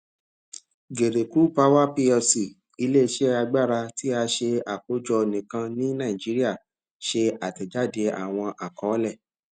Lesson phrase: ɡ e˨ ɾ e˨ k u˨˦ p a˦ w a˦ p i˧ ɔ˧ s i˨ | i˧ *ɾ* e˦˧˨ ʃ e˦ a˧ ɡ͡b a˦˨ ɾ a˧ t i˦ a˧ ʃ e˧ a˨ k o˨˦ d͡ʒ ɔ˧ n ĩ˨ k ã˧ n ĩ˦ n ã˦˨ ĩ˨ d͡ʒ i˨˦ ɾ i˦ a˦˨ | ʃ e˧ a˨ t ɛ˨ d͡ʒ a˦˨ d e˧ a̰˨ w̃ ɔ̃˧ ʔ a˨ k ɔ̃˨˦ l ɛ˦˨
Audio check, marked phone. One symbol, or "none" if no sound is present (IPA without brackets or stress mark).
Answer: l